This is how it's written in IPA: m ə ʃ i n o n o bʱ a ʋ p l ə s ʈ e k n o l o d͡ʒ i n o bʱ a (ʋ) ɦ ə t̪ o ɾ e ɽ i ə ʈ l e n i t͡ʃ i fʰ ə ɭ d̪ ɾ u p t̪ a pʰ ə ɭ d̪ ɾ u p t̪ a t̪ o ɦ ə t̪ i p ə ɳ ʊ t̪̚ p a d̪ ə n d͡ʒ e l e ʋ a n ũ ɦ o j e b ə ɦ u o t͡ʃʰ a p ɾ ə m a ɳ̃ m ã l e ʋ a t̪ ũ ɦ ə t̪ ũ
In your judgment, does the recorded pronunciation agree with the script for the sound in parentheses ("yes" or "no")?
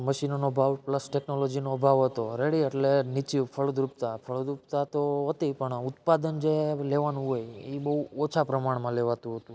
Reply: yes